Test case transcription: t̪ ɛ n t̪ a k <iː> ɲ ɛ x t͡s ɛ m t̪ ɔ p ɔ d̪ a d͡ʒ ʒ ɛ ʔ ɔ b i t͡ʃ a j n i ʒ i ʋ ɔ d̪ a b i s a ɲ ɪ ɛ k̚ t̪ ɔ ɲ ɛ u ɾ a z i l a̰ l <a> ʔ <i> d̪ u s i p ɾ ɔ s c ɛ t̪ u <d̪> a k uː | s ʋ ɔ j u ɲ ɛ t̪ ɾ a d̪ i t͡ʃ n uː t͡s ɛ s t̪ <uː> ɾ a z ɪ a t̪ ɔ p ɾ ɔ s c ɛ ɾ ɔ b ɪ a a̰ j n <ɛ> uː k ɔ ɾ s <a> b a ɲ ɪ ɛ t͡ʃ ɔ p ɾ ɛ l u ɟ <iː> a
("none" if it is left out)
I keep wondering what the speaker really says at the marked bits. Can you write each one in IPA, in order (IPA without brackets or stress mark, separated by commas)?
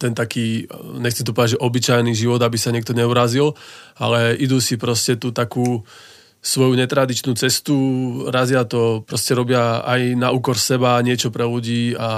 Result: iː, ɛ, i, t̪, u, a, ɛ, iː